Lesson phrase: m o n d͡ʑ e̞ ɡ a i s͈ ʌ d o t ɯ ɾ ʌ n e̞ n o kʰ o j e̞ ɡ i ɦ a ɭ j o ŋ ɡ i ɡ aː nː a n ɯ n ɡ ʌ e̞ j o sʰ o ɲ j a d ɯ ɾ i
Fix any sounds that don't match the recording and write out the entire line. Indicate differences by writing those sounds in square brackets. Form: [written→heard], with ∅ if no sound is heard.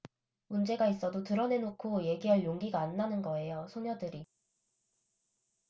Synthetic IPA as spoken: m [o→u] n d͡ʑ e̞ ɡ a i s͈ ʌ d o t ɯ ɾ ʌ n e̞ n o kʰ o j e̞ ɡ i ɦ a ɭ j o ŋ ɡ i ɡ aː nː a n ɯ n ɡ ʌ e̞ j o sʰ o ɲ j [a→ʌ] d ɯ ɾ i